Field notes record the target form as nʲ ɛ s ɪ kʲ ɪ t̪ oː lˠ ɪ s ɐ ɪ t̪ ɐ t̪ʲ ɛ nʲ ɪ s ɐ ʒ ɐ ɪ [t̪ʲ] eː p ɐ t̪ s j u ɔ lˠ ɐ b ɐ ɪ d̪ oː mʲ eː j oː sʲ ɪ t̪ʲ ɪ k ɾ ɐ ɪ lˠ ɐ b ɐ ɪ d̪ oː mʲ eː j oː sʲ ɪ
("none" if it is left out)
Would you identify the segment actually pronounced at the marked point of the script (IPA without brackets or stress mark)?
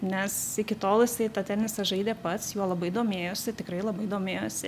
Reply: d̪ʲ